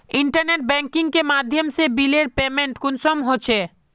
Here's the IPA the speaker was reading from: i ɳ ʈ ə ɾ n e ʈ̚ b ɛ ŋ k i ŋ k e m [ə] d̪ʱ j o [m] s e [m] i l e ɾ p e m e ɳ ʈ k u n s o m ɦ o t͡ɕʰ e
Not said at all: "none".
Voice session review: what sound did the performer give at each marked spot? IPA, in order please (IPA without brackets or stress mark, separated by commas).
a, m, b